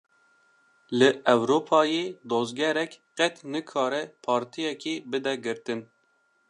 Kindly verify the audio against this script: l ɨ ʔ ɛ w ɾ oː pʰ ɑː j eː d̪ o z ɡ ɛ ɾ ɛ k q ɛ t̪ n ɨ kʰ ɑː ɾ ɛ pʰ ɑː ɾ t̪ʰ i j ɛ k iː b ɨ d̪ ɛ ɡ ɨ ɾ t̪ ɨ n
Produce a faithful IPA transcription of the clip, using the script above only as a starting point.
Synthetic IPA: l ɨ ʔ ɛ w ɾ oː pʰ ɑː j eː d̪ o z ɡ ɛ ɾ ɛ k q ɛ t̪ n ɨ kʰ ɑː ɾ ɛ pʰ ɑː ɾ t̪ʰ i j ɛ k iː b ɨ d̪ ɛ ɡ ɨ ɾ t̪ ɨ n